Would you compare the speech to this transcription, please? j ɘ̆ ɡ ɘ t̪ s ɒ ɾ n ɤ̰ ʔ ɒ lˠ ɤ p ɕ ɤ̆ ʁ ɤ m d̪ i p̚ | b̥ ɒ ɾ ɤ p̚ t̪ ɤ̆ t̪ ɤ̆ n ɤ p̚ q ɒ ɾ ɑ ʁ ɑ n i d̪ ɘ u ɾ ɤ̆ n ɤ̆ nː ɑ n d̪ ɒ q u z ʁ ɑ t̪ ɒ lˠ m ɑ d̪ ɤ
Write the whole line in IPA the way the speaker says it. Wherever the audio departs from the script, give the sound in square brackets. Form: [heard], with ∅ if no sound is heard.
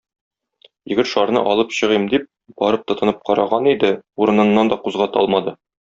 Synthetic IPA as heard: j ɘ̆ ɡ ɘ t̪ [ʃ] ɒ ɾ n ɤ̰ ʔ ɒ lˠ ɤ p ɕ ɤ̆ ʁ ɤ m d̪ i p̚ | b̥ ɒ ɾ ɤ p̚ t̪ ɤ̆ t̪ ɤ̆ n ɤ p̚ q ɒ ɾ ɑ ʁ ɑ n i d̪ ɘ u ɾ ɤ̆ n ɤ̆ nː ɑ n d̪ ɒ q u z ʁ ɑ t̪ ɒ lˠ m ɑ d̪ ɤ